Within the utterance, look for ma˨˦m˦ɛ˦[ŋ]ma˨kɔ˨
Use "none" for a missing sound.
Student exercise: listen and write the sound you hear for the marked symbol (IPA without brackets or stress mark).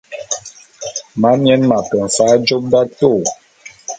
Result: n